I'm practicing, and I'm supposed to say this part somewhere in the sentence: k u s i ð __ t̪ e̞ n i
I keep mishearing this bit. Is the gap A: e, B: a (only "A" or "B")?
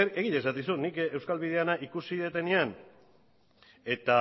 A